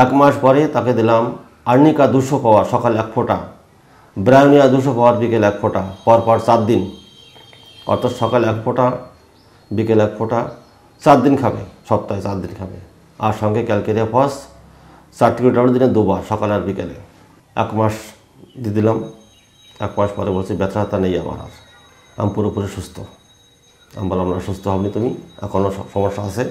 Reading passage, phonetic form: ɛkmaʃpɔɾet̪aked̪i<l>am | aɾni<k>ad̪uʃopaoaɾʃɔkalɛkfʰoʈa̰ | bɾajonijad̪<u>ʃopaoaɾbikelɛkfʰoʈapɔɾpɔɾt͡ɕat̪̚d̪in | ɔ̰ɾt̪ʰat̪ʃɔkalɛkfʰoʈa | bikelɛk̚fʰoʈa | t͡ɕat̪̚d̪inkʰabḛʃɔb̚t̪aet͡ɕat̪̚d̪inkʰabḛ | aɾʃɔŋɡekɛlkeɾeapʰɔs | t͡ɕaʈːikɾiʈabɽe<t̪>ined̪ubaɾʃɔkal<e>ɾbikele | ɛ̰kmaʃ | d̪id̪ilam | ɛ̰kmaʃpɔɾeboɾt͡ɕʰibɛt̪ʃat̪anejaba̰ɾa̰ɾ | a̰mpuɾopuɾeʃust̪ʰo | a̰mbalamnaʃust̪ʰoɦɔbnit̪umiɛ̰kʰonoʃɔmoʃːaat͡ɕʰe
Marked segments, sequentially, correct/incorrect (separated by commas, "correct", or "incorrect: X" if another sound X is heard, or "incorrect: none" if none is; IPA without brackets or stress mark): correct, correct, correct, incorrect: d̪, incorrect: a